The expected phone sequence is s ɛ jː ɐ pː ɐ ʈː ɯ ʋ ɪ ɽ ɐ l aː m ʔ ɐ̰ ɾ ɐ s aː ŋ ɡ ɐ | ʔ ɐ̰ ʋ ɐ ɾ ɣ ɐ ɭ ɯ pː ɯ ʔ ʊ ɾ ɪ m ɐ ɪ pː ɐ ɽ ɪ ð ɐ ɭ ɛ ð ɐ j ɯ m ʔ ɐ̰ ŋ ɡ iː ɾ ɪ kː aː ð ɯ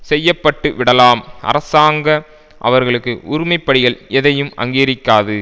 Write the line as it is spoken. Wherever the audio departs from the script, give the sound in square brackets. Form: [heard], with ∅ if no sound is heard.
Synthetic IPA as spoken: s ɛ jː ɐ pː ɐ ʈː ɯ ʋ ɪ ɽ ɐ l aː m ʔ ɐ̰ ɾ ɐ s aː ŋ ɡ ɐ | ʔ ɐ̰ ʋ ɐ ɾ ɣ ɐ ɭ ɯ [kː] ɯ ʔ ʊ ɾ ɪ m ɐ ɪ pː ɐ ɽ ɪ [ɣ] ɐ ɭ ɛ ð ɐ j ɯ m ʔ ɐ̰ ŋ ɡ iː ɾ ɪ kː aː ð ɯ

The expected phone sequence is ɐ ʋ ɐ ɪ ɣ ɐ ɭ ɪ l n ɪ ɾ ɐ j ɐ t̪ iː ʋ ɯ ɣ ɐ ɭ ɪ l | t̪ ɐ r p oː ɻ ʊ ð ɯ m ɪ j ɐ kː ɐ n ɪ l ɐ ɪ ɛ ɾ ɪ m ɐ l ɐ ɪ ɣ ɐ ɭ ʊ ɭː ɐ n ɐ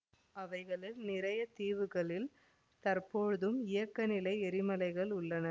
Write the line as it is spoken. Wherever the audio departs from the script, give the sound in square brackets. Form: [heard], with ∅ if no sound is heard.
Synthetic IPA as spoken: ɐ ʋ ɐ ɪ ɣ ɐ ɭ ɪ l n ɪ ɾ ɐ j ɐ t̪ iː ʋ ɯ ɣ ɐ ɭ ɪ l | t̪ ɐ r p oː ɻ [ɯ] ð ɯ m ɪ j ɐ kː ɐ n ɪ l ɐ ɪ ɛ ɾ ɪ m ɐ l ɐ ɪ ɣ ɐ ɭ ʊ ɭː ɐ n ɐ

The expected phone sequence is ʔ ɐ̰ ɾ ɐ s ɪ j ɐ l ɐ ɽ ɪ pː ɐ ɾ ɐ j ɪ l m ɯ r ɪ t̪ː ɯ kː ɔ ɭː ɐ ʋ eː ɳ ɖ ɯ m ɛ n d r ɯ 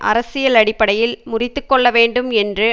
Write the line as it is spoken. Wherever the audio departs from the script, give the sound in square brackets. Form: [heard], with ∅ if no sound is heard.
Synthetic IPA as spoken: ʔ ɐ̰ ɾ ɐ s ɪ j ɐ l ɐ ɽ ɪ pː ɐ [ɽ] ɐ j ɪ l m [ʊ] r ɪ t̪ː ɯ kː ɔ ɭː ɐ ʋ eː ɳ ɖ ɯ m ɛ n d r ɯ

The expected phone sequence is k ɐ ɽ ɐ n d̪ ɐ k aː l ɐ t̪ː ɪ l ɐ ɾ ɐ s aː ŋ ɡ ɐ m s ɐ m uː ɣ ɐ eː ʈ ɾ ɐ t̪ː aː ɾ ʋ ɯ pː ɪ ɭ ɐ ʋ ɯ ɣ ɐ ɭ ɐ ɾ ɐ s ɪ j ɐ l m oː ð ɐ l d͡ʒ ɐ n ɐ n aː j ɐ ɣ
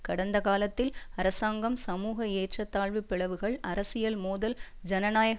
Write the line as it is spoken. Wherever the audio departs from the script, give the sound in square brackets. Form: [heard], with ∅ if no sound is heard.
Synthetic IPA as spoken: k ɐ ɽ ɐ n d̪ ɐ k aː l ɐ t̪ː ɪ l ɐ ɾ ɐ s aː ŋ ɡ ɐ m s ɐ m uː ɣ ɐ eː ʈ [r] ɐ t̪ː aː [ɭ] ʋ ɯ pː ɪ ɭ ɐ ʋ ɯ ɣ ɐ ɭ ɐ ɾ ɐ s ɪ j ɐ l m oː ð ɐ l d͡ʒ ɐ n ɐ n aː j ɐ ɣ

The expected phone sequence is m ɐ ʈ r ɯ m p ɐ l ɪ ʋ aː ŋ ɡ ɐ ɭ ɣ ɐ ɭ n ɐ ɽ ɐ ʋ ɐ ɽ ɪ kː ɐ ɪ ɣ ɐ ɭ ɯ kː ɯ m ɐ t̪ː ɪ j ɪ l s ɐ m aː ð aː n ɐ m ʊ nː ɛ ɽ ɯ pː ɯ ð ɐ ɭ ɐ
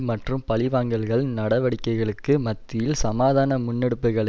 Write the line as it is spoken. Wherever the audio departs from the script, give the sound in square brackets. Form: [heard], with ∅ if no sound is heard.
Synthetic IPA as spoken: m ɐ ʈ r ɯ m p ɐ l ɪ ʋ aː ŋ ɡ ɐ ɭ ɣ ɐ ɭ n ɐ ɽ ɐ ʋ ɐ ɽ ɪ kː ɐ ɪ ɣ ɐ ɭ ɯ kː ɯ m ɐ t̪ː ɪ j ɪ l s ɐ m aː ð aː n ɐ m ʊ nː ɛ ɽ ɯ pː ɯ [ɣ] ɐ ɭ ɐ

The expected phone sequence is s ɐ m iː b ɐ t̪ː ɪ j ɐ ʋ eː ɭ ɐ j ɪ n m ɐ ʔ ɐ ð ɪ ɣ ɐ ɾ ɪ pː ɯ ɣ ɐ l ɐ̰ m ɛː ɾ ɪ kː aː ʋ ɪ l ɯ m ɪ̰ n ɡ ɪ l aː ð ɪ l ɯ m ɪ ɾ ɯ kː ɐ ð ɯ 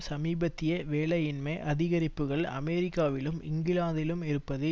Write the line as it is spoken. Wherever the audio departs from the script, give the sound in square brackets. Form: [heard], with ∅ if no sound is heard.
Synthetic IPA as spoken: s ɐ m iː b ɐ t̪ː ɪ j ɐ ʋ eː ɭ ɐ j ɪ n m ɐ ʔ ɐ ð ɪ ɣ ɐ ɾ ɪ pː ɯ ɣ ɐ [ɭ] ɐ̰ m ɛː ɾ ɪ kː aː ʋ ɪ l ɯ m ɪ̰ [ŋ] ɡ ɪ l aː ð ɪ l ɯ m ɪ ɾ ɯ [pː] ɐ ð ɯ

